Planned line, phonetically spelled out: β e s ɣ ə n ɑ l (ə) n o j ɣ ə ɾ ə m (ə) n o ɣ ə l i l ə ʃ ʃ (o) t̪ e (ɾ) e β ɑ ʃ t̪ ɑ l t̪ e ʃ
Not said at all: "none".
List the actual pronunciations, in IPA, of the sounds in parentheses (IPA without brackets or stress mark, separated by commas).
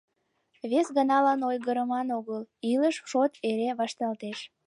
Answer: ɑ, ɑ, o, ɾ